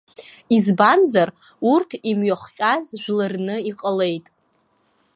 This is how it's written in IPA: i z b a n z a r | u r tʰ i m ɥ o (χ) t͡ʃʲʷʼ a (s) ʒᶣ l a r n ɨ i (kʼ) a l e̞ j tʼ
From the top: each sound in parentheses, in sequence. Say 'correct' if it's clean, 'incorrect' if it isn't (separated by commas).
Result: correct, incorrect, incorrect